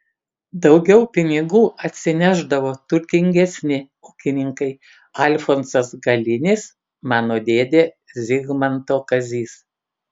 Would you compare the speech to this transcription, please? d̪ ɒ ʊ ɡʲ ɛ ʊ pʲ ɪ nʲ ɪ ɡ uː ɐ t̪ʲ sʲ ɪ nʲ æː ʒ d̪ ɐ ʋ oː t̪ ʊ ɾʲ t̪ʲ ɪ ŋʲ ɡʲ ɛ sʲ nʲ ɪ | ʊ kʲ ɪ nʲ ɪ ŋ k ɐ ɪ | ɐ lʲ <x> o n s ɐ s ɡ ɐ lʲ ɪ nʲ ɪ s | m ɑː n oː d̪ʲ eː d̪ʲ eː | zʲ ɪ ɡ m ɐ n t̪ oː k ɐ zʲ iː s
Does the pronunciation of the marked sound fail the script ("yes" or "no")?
yes